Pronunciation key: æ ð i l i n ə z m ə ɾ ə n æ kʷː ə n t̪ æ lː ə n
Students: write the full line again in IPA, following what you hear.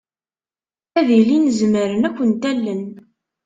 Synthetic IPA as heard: æ ð i l i n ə z m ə ɾ ə n æ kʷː ə n t̪ æ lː ə n